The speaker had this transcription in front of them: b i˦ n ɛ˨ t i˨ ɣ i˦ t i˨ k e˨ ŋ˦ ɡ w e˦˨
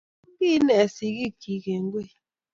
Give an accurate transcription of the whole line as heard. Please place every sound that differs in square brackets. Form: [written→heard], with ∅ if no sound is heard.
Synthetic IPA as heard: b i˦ n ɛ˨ [t→s] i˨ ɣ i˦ [t→k] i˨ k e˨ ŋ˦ ɡ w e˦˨